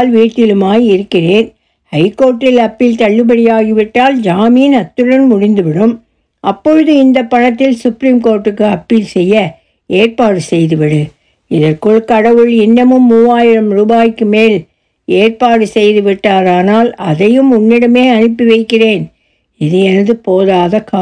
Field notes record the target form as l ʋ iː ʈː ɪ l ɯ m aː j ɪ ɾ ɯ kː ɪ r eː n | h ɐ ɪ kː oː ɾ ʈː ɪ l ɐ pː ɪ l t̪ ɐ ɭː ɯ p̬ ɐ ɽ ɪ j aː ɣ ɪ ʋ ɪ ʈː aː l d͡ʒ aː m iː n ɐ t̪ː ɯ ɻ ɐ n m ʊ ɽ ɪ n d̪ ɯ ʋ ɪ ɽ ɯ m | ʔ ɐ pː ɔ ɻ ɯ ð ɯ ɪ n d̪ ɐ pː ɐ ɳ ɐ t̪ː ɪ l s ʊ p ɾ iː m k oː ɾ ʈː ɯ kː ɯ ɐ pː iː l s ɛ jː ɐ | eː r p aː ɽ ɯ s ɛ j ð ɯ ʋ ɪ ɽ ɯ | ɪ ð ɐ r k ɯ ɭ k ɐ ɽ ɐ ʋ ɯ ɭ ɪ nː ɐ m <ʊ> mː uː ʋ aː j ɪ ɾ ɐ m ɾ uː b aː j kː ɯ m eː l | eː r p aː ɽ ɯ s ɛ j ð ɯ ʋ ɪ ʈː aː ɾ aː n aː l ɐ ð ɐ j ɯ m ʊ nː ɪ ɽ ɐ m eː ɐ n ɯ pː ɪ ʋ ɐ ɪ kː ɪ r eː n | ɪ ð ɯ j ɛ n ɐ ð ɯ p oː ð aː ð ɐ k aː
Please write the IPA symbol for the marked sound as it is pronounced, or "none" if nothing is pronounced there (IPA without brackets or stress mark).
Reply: ɯ